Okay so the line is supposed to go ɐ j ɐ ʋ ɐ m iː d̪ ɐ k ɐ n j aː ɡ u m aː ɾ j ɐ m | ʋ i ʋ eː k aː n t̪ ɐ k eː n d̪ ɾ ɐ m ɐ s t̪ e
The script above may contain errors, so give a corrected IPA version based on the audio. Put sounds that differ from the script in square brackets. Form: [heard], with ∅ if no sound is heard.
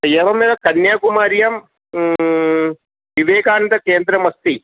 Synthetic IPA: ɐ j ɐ ʋ ɐ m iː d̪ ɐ k ɐ n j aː [k] u m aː ɾ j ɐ m | ʋ i ʋ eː k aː n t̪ ɐ k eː n d̪ ɾ ɐ m ɐ s t̪ [i]